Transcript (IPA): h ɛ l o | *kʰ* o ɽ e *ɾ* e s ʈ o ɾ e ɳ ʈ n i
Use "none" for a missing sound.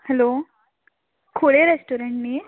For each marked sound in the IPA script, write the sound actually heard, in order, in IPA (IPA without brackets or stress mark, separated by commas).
kʰ, ɾ